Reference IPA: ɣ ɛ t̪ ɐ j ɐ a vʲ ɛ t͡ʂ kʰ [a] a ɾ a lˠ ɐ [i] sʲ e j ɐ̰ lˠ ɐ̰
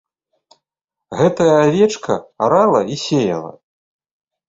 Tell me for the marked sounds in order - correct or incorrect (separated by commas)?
incorrect, correct